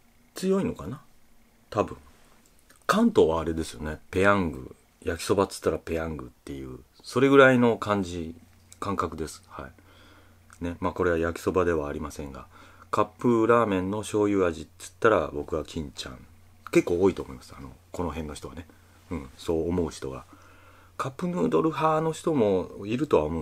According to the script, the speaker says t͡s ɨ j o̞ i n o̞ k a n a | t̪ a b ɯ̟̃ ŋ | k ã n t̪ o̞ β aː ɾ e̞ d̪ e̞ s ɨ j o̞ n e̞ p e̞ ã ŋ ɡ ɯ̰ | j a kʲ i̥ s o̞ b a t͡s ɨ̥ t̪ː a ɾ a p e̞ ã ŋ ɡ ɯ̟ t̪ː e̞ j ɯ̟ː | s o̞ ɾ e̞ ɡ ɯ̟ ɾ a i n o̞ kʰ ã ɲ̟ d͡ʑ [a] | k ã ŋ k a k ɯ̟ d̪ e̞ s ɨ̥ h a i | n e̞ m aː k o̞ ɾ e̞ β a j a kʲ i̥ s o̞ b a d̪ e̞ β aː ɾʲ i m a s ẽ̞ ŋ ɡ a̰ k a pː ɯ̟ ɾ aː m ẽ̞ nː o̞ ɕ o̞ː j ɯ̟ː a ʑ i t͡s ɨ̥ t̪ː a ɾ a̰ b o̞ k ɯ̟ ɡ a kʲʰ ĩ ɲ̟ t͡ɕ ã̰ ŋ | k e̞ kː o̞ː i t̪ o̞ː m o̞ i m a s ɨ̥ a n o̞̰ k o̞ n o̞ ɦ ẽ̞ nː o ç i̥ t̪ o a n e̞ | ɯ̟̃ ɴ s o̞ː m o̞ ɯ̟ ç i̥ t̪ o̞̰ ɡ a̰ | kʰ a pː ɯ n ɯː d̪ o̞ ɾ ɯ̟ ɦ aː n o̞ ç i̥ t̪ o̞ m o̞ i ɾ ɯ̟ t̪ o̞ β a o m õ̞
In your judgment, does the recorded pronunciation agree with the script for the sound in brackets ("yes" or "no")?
no